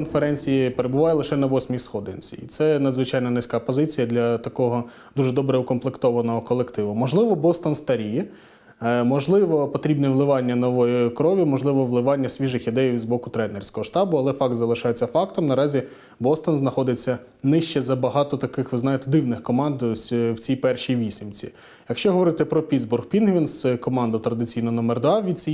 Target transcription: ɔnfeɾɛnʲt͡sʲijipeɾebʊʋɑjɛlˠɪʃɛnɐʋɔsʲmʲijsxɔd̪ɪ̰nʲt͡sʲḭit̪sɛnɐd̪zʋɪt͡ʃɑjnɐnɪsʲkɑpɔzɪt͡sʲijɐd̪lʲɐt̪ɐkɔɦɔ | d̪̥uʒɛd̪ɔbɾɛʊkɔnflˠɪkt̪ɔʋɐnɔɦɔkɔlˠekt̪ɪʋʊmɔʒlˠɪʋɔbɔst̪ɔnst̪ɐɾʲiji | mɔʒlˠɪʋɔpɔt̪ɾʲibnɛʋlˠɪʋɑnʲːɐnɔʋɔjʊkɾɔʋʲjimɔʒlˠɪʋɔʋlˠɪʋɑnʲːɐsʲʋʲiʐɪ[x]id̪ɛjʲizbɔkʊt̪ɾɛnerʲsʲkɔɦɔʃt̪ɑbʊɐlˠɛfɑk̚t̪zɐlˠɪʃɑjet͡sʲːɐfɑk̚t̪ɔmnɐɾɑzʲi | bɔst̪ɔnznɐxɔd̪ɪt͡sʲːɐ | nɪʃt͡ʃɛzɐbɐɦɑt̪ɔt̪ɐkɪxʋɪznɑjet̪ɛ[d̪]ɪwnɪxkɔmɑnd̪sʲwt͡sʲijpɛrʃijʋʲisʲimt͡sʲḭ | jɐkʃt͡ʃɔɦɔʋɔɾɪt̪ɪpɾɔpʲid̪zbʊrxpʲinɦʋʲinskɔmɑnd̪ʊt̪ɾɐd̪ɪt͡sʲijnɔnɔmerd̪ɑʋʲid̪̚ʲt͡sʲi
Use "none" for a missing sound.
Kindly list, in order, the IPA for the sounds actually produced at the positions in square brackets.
x, d̪

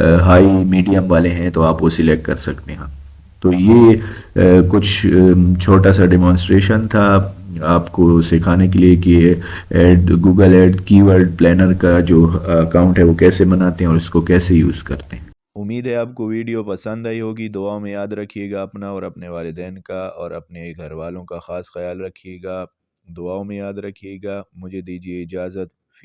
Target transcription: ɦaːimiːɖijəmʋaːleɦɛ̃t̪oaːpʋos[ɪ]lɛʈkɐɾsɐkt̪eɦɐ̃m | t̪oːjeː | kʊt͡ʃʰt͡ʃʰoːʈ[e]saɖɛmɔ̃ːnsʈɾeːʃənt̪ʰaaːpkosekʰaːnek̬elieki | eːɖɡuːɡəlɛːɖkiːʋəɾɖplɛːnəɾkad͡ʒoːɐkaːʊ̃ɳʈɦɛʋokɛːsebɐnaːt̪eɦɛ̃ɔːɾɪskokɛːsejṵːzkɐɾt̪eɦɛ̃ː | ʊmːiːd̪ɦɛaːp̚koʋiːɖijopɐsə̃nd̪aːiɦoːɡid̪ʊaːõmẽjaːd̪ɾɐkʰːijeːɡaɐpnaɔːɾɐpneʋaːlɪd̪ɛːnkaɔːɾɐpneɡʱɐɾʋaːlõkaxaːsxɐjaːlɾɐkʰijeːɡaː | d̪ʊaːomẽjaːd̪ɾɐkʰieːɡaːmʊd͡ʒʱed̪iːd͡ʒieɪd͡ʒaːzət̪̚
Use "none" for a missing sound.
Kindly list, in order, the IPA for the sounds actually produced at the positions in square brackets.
ɪ, a

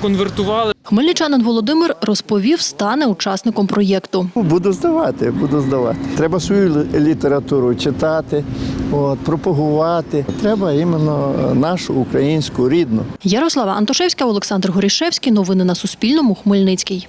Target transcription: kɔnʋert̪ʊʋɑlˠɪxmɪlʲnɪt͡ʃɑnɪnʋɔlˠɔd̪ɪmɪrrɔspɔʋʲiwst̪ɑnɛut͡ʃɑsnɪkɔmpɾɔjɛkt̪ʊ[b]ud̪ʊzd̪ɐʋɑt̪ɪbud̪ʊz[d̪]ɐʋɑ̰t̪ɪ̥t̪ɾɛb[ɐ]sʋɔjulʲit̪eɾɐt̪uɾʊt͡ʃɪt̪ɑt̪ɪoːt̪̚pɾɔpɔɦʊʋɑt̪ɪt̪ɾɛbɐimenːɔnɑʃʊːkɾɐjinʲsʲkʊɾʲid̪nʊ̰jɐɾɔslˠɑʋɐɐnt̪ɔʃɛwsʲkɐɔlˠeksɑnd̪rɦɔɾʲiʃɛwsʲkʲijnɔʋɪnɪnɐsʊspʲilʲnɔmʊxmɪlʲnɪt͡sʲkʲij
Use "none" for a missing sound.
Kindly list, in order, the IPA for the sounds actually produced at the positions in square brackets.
b, d̪, ɐ

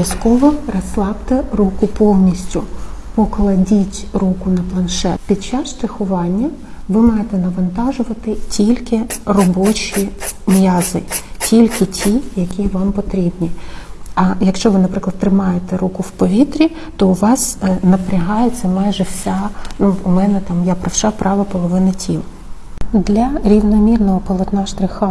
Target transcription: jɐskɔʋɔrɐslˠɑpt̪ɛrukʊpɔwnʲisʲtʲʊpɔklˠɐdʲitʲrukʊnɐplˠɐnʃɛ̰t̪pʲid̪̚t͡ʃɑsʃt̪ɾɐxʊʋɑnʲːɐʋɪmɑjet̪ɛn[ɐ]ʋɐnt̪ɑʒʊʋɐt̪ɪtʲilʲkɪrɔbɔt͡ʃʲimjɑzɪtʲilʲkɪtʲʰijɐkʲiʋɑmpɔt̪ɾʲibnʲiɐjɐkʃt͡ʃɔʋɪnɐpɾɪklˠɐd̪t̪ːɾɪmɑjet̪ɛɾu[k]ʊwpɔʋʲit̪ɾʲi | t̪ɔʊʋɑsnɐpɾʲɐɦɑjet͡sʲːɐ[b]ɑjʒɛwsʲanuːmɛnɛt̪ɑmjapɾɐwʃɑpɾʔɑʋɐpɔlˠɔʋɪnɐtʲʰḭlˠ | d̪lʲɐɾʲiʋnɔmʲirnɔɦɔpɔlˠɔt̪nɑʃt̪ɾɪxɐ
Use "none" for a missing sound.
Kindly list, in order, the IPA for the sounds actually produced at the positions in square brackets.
ɐ, k, m

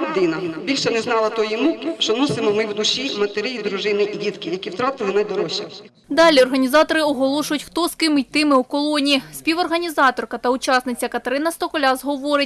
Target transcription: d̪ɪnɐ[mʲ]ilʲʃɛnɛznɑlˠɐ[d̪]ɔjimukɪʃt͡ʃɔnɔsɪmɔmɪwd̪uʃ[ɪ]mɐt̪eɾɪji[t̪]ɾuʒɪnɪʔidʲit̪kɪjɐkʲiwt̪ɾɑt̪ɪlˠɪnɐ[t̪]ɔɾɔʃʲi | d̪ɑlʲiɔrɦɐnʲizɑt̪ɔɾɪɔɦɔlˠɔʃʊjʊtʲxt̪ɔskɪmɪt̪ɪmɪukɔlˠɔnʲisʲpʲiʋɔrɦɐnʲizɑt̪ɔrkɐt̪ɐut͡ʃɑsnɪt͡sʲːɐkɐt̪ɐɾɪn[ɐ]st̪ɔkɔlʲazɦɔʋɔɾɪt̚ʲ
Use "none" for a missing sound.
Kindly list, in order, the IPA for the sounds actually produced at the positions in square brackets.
bʲ, t̪, i, d̪, d̪, ɐ

